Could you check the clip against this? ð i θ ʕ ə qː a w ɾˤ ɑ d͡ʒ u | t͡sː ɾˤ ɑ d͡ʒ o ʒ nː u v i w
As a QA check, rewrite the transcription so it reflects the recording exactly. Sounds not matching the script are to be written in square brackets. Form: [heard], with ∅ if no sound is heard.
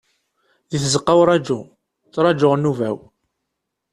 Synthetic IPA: ð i θ [z] ə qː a w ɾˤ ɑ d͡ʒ u | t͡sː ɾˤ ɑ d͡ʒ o [ʁ] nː u v [æ] w